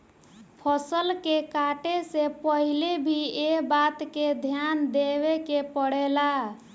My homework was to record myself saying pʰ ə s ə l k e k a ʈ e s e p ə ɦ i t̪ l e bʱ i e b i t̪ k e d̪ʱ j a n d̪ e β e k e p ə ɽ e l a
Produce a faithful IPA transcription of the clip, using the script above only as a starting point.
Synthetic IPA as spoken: pʰ ə s ə l k e k a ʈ e s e p ə ɦ i l e bʱ i e b a t̪ k e d̪ʱ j a n d̪ e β e k e p ə ɽ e l a